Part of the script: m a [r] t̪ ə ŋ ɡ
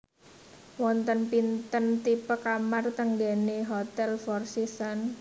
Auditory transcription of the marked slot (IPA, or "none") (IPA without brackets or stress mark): r